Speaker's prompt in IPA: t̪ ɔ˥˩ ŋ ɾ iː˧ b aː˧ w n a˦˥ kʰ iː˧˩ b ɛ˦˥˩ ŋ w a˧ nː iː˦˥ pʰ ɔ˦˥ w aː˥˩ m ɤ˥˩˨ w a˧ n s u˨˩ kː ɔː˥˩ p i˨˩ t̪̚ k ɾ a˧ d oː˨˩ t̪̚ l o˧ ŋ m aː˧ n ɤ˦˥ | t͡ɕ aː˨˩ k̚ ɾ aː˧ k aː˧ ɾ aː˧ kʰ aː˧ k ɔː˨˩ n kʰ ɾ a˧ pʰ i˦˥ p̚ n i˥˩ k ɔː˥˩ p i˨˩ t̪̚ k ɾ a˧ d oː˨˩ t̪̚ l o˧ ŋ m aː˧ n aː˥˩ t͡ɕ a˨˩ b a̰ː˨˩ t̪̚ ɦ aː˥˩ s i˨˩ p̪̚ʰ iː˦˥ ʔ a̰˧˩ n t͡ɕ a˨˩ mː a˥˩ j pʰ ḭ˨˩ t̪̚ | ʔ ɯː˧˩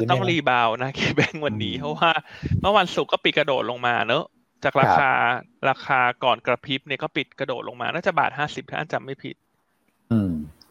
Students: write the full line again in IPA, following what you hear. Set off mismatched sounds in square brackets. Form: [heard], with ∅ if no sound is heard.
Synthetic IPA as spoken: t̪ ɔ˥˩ ŋ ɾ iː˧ b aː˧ w n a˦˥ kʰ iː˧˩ b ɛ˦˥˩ ŋ w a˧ nː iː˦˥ pʰ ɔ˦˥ w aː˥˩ m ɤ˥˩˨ w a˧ n s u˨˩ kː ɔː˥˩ p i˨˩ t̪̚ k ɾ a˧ d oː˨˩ t̪̚ l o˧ ŋ m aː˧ n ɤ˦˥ | t͡ɕ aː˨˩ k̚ ɾ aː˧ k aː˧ ɾ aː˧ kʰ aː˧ k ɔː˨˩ n [k] ɾ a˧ pʰ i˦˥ p̚ n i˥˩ k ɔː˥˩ p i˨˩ t̪̚ k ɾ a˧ d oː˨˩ t̪̚ l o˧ ŋ m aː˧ n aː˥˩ t͡ɕ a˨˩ b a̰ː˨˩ t̪̚ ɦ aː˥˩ s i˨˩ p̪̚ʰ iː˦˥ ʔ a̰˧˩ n t͡ɕ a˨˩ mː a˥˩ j pʰ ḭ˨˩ t̪̚ | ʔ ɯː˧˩